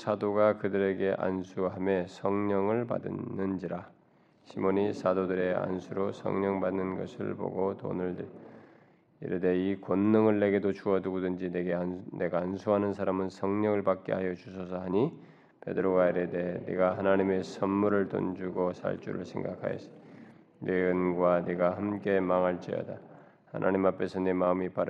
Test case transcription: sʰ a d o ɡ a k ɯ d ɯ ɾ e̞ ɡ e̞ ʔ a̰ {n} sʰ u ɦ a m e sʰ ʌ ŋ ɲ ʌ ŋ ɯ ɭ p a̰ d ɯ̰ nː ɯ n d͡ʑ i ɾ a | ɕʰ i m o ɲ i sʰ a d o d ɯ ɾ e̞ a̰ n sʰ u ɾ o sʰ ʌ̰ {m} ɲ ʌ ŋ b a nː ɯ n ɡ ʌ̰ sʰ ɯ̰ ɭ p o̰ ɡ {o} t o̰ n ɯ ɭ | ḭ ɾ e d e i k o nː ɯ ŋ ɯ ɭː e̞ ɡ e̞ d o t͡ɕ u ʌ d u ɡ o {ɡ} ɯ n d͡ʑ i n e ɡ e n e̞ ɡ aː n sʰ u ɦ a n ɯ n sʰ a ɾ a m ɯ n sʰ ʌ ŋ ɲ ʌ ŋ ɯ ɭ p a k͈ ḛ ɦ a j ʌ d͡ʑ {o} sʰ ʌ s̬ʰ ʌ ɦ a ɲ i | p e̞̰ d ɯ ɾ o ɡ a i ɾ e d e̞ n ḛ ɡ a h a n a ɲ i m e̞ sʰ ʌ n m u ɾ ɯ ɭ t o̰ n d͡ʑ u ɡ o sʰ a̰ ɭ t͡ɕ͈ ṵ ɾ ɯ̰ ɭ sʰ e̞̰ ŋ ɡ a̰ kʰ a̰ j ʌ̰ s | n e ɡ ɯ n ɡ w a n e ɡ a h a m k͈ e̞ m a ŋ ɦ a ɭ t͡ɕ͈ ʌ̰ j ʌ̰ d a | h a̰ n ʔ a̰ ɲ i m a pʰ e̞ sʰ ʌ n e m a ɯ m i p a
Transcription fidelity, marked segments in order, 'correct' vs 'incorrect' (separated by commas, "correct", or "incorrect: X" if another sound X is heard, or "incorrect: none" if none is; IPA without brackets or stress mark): correct, incorrect: ŋ, correct, incorrect: d, incorrect: u